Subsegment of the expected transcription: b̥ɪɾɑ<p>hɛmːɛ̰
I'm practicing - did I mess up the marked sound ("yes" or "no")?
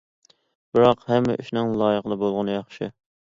yes